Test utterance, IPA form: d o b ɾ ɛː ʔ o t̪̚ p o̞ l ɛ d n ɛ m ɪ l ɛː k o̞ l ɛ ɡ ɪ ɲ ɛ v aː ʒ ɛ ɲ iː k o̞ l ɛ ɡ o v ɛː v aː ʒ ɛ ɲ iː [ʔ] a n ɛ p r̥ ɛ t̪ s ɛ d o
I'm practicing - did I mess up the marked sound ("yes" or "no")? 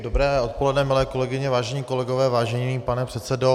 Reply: yes